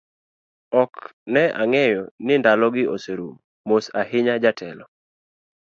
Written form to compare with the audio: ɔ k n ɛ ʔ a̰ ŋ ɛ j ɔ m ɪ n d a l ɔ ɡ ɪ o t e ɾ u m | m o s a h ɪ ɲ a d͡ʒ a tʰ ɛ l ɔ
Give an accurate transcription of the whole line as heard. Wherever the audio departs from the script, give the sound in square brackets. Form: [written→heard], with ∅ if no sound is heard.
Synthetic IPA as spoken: ɔ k n ɛ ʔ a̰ ŋ ɛ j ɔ [m→n] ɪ n d a l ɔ ɡ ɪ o [t→s] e ɾ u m | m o s a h ɪ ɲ a d͡ʒ a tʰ ɛ l ɔ